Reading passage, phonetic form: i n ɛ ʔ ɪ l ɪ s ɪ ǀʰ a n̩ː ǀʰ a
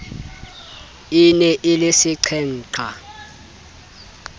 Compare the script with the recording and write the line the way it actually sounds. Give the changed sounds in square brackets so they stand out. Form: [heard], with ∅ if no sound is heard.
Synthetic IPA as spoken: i n ɛ ʔ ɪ l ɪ s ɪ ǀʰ [ɛ] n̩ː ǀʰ a

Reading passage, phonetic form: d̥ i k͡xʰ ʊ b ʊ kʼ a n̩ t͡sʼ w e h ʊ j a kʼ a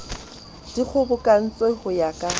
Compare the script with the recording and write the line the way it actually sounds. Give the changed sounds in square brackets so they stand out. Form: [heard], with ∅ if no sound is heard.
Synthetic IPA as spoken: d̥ i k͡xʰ ʊ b ʊ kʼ a n̩ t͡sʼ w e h ʊ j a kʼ a

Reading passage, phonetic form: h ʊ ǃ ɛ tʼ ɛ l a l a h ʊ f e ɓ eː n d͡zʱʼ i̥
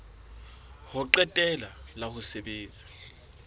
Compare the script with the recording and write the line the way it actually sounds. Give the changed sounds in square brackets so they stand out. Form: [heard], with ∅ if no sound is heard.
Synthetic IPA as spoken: h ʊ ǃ ɛ tʼ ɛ l a l a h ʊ [s] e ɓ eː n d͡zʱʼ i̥

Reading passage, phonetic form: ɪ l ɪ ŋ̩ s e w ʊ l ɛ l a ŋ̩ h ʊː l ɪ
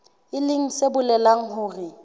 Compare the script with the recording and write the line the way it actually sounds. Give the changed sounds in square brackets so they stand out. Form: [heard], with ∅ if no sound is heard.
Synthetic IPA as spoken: ɪ l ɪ ŋ̩ s e [b] ʊ l ɛ l a ŋ̩ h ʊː [r] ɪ

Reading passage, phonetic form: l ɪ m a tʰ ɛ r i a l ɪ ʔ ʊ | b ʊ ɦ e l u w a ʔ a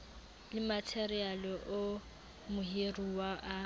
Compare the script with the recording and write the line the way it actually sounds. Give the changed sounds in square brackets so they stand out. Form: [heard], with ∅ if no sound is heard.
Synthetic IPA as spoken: l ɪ m a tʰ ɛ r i a l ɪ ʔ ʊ | [m] ʊ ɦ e [r] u w a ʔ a

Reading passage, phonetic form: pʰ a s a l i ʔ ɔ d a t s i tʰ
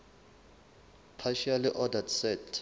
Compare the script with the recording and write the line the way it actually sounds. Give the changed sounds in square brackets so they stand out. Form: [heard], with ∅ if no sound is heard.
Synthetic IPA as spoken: pʰ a [ʃ] a l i ʔ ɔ d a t s [ɛ] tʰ

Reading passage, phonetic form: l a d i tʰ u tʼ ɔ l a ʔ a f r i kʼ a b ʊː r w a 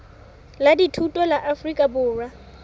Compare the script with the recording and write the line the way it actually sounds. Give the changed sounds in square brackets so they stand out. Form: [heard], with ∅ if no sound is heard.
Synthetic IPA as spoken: l a d i tʰ u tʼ ɔ l a ʔ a f r i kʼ a b ʊː r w a

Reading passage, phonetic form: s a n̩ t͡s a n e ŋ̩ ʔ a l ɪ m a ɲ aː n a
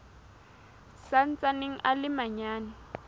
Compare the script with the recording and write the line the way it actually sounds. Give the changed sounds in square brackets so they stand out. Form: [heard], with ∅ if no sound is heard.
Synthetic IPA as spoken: s a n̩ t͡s a n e ŋ̩ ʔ a l ɪ m a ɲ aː n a

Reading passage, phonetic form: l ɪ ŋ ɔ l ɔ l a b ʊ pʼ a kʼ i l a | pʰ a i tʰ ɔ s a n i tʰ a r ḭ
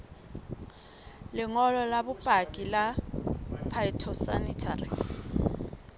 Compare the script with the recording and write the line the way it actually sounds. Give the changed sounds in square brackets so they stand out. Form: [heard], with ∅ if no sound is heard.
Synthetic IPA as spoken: l ɪ ŋ ɔ l ɔ l a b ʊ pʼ a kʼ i l a | pʰ a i tʰ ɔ s a n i tʰ a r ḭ

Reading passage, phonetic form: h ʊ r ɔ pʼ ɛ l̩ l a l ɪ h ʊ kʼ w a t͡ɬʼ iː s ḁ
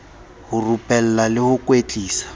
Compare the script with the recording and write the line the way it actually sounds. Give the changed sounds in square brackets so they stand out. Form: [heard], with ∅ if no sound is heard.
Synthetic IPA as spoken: h ʊ r [u] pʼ ɛ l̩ l a l ɪ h ʊ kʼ w [e] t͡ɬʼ iː s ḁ

